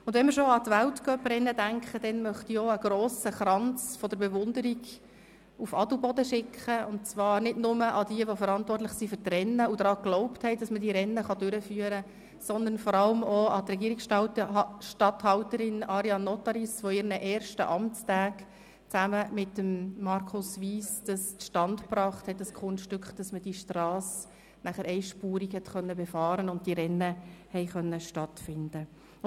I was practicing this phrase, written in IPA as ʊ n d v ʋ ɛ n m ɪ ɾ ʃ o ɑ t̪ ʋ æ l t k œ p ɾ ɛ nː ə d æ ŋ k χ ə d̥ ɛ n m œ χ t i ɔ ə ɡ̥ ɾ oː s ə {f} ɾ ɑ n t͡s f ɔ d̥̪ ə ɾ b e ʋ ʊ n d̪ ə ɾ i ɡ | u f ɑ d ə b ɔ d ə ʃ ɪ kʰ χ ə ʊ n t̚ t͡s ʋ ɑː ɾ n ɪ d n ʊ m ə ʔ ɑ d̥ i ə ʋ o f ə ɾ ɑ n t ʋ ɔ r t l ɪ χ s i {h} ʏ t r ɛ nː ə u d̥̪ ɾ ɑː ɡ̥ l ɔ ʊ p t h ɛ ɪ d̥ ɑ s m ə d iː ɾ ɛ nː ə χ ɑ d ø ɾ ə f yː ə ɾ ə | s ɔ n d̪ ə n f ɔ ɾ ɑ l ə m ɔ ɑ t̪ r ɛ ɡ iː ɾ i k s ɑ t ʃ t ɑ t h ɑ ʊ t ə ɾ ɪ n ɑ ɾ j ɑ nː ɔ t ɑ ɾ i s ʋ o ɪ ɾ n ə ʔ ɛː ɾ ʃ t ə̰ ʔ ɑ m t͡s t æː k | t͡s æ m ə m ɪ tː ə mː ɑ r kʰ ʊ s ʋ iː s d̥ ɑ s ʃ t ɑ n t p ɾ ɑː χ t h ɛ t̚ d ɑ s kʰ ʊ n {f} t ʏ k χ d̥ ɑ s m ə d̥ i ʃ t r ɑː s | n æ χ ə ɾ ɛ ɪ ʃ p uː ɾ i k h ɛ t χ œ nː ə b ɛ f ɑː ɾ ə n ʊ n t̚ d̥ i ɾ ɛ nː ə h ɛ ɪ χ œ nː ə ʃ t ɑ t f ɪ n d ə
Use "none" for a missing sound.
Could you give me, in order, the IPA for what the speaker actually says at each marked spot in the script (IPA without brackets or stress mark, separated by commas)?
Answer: χ, f, ʃ